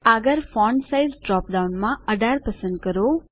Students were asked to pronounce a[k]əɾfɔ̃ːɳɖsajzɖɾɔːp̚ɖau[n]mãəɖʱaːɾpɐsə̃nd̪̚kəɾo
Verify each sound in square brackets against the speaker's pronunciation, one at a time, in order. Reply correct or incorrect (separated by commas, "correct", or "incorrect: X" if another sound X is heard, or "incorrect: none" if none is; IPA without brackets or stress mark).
incorrect: ɡ, correct